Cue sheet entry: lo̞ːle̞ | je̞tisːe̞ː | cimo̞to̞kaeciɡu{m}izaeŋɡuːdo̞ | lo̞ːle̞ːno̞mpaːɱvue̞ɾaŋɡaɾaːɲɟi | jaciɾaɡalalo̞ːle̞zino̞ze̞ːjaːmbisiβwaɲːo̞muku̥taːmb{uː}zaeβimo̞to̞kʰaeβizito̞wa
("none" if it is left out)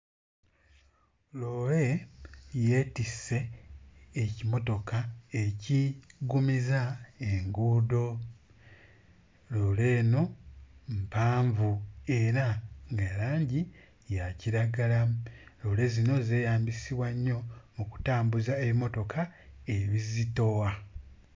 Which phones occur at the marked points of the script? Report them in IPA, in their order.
m, u

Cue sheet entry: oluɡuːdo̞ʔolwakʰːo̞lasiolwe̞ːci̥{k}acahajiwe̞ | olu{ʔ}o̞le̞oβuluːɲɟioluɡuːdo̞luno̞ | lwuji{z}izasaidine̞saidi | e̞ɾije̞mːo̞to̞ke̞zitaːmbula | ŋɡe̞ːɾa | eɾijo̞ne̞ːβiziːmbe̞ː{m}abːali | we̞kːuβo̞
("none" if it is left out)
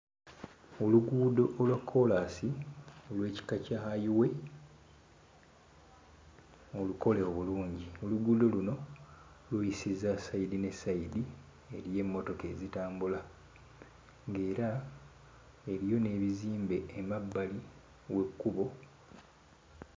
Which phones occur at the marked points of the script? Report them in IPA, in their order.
k, k, s, m

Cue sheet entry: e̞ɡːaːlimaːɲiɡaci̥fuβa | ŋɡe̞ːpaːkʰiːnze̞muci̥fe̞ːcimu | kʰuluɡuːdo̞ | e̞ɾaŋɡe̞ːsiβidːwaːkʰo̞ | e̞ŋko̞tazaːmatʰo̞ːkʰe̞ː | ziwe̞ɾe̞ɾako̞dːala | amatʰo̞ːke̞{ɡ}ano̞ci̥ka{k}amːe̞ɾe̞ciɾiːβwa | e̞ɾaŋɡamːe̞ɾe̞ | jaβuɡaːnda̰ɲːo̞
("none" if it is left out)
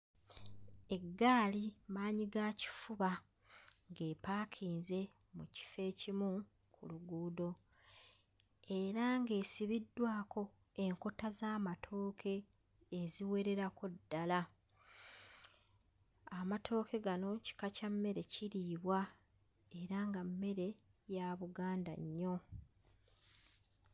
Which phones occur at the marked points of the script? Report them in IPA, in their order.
ɡ, c

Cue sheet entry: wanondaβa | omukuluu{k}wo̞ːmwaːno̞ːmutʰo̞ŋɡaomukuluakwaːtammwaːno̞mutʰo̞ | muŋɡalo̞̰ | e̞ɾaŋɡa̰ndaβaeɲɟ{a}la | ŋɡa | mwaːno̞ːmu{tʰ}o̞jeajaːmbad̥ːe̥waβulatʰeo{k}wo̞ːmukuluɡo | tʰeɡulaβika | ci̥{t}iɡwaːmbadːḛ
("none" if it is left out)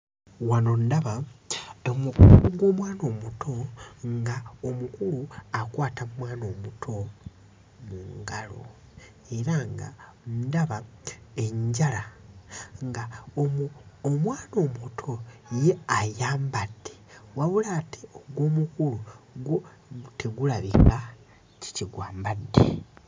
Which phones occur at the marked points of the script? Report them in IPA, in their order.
ɡ, a, tʰ, ɡ, c

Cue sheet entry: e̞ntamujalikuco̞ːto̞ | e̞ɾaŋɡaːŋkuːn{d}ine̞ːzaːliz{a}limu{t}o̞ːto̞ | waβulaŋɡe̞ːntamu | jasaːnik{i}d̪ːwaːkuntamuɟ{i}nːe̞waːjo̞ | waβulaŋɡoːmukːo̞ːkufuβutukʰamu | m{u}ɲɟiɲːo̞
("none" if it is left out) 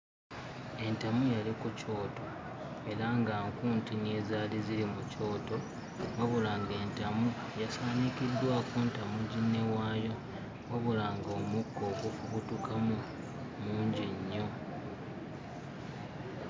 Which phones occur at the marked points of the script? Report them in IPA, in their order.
t, i, c, i, i, uː

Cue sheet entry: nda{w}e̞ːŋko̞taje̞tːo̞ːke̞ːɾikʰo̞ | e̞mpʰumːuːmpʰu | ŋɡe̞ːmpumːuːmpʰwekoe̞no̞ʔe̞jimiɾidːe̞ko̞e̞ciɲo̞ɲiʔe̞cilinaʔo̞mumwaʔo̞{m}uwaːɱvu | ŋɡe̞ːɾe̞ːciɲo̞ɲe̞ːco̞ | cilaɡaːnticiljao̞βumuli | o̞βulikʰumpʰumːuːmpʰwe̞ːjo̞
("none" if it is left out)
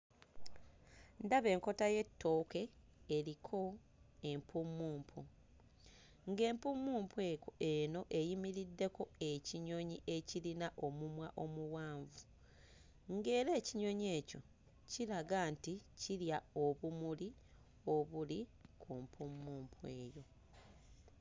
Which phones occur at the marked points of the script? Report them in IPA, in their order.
β, m

